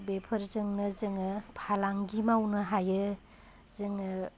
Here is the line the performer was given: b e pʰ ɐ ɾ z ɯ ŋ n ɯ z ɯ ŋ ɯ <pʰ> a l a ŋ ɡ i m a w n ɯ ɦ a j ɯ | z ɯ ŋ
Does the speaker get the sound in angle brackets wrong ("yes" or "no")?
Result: no